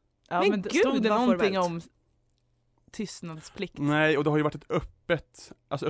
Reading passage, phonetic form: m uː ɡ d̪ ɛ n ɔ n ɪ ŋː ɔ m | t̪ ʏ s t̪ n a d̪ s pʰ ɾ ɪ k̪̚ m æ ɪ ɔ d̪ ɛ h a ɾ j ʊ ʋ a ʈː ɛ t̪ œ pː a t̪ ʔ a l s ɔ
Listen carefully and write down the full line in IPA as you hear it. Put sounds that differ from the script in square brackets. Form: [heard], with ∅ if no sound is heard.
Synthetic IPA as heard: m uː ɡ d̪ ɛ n ɔ n ɪ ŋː ɔ m | [t̪ʰ] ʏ s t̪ n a d̪ s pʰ [l] ɪ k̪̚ [n] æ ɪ ɔ d̪ ɛ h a ɾ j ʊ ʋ a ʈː ɛ t̪ œ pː [ə] t̪ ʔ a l s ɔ